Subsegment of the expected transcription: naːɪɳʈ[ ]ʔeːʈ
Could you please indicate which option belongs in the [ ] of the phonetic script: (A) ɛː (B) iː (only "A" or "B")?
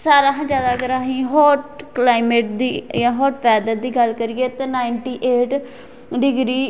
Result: B